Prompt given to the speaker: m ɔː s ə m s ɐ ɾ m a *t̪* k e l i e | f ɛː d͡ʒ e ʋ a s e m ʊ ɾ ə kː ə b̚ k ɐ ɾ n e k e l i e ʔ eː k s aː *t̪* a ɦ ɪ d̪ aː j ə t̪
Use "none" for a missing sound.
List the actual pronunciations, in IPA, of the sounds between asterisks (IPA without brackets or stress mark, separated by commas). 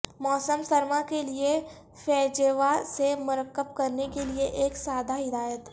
none, d̪